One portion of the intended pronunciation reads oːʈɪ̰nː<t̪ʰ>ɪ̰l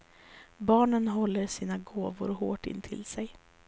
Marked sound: correct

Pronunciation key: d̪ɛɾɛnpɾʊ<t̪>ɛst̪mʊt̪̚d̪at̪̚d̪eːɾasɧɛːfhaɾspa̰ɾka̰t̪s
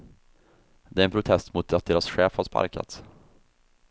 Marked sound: incorrect: t̪ʰ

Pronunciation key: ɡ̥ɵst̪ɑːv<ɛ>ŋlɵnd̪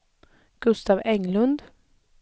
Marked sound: correct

